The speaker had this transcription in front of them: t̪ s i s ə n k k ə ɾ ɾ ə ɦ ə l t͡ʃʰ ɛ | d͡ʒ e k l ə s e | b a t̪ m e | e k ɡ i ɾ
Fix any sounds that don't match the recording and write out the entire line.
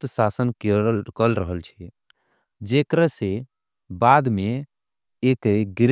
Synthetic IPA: t̪ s a s ə n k k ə l ɾ ə ɦ ə l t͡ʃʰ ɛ | d͡ʒ e k ɾ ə s e | b a d̪ m e | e k ɡ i ɾ